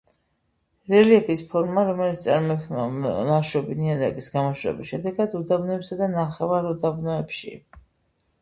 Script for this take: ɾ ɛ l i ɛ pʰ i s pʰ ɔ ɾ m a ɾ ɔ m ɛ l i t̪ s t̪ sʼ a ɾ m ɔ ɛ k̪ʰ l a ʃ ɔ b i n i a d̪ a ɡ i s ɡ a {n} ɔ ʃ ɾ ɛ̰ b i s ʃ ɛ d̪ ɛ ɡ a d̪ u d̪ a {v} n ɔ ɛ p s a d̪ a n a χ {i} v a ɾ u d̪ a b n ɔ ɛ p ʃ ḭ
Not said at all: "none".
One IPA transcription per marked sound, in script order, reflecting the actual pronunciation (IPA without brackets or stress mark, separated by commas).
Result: m, b, ɛ